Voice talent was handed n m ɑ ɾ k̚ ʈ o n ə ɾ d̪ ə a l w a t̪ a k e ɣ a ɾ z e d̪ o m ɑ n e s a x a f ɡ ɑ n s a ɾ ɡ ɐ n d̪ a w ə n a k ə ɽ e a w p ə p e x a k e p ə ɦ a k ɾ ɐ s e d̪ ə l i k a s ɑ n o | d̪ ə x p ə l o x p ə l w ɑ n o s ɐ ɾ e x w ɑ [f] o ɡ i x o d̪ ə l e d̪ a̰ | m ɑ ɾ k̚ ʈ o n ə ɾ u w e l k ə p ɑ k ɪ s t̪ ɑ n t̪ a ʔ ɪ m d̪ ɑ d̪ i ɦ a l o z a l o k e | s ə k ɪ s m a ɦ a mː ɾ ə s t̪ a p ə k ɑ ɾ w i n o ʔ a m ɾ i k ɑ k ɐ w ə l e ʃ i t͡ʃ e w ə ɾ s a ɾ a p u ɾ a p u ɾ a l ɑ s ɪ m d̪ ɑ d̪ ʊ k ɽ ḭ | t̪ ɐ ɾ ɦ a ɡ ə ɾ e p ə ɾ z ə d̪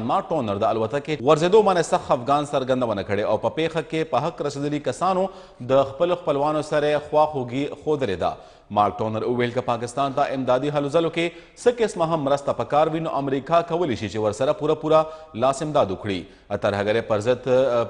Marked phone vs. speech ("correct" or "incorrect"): incorrect